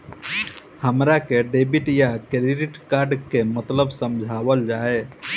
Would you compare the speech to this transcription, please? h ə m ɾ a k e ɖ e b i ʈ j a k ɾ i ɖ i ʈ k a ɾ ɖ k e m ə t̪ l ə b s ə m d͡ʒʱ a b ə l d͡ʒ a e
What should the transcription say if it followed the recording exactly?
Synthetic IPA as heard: h ə m ɾ a k e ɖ e b i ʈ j a k ɾ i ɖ i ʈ k a ɾ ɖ k e m ə t̪ l ə b s ə m d͡ʒʱ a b ə l d͡ʒ a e